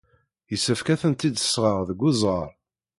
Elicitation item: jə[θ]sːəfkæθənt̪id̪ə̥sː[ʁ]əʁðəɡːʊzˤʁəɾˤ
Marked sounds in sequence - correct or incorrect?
incorrect: none, correct

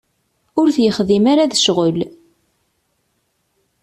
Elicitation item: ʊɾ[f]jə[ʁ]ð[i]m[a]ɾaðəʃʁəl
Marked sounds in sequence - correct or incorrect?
incorrect: θ, incorrect: χ, correct, correct

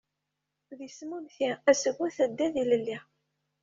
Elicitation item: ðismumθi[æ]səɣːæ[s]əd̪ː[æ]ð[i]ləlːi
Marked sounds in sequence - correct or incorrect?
correct, incorrect: θ, correct, correct

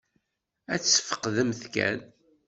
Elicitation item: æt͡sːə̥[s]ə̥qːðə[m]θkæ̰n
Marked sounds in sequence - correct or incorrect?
incorrect: f, correct

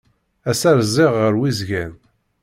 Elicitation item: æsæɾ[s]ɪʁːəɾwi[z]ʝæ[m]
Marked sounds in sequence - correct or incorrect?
incorrect: z, correct, incorrect: n

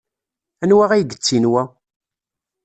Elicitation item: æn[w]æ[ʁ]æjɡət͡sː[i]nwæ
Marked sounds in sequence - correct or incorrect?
correct, correct, correct

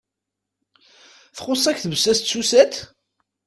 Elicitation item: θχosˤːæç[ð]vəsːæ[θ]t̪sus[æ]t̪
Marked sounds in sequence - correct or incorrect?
incorrect: θ, incorrect: s, correct

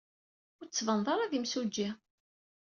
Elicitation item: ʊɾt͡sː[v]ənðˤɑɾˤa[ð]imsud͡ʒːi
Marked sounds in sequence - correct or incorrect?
correct, correct

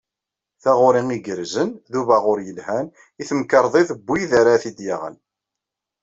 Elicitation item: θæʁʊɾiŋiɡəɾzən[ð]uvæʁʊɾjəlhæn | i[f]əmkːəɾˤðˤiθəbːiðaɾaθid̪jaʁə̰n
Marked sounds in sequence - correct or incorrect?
correct, incorrect: θ

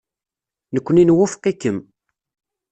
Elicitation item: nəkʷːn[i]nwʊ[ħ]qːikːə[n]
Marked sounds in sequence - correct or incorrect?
correct, incorrect: f, incorrect: m

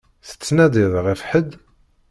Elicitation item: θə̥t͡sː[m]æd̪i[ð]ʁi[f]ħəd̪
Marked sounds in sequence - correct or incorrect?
incorrect: n, correct, correct

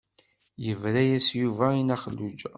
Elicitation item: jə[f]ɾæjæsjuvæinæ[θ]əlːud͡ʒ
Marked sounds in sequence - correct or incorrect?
incorrect: v, incorrect: χ

